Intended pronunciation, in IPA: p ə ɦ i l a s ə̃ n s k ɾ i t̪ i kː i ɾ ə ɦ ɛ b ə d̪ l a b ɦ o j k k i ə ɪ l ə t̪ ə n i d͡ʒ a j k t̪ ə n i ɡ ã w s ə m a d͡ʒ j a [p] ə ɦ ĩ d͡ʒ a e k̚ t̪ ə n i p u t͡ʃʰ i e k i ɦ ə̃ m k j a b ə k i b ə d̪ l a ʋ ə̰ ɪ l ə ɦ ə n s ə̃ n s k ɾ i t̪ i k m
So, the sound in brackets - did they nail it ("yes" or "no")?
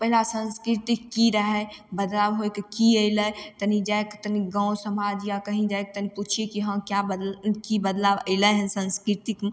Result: no